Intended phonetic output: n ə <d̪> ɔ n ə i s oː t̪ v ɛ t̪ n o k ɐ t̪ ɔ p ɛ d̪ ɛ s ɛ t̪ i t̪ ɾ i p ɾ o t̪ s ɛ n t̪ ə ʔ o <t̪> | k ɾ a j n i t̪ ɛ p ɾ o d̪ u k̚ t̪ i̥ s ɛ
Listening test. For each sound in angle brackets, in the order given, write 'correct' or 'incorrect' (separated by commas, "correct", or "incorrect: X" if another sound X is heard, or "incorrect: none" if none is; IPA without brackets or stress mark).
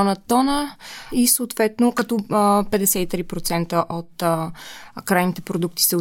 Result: incorrect: t̪, correct